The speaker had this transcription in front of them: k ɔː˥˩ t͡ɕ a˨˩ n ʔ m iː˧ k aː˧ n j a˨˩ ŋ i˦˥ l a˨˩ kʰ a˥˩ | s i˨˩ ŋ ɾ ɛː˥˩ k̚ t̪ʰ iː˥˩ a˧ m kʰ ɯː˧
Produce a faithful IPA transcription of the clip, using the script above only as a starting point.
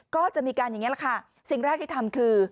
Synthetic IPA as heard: k ɔː˥˩ t͡ɕ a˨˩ ʔ m iː˧ k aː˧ n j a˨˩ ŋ i˦˥ l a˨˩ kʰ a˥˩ | s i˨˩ ŋ ɾ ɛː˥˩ k̚ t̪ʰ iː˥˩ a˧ m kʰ ɯː˧